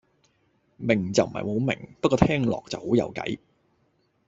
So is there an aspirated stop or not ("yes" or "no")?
yes